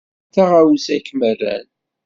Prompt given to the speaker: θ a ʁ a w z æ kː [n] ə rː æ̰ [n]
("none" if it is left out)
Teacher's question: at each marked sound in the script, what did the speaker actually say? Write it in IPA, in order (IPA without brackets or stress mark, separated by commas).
m, n